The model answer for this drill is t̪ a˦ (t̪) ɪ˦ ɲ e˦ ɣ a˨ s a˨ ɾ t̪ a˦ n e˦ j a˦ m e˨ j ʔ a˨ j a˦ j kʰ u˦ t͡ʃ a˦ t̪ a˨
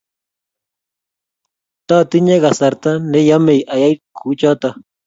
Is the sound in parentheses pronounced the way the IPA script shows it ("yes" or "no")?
yes